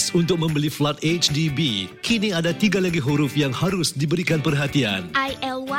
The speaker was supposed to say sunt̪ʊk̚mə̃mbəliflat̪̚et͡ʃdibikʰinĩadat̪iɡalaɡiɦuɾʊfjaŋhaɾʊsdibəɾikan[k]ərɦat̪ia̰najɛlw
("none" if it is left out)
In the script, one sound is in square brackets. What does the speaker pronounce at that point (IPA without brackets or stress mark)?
p